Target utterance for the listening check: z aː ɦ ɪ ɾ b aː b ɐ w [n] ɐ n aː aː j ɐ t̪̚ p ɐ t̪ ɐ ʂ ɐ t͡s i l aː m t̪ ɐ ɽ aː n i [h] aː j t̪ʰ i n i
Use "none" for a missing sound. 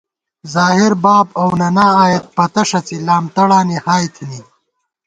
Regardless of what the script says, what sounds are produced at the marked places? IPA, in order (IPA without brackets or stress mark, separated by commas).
n, h